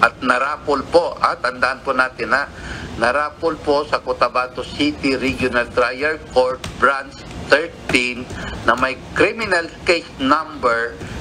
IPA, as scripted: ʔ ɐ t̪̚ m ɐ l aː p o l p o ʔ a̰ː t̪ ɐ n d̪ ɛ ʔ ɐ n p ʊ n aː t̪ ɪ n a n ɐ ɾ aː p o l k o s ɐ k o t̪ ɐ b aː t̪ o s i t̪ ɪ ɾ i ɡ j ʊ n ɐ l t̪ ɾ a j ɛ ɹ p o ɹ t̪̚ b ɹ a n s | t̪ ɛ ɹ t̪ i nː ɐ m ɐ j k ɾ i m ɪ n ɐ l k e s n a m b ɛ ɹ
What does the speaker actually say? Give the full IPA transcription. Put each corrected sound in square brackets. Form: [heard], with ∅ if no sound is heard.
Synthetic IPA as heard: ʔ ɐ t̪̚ [n] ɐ [ɾ] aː p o l p o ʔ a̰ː t̪ ɐ n d̪ [a] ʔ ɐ n p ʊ n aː t̪ ɪ n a n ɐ ɾ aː p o l [p] o s ɐ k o t̪ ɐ b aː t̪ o s i t̪ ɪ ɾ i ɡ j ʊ n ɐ l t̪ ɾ a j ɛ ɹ [k] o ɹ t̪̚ b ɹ a n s | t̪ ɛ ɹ t̪ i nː ɐ m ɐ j k ɾ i m ɪ n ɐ l k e s n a m b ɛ ɹ